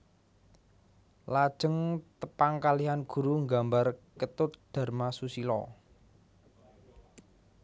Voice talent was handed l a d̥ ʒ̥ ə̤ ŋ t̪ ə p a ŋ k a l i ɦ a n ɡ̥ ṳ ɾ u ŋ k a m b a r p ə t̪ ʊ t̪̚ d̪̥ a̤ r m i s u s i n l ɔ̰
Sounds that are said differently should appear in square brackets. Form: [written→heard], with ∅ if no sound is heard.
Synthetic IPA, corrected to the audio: l a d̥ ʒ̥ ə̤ ŋ t̪ ə p a ŋ k a l i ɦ a n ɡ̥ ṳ ɾ u ŋ [k→ɡ] a m b a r [p→k] ə t̪ ʊ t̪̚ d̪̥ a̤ r m [i→a] s u s i [n→∅] l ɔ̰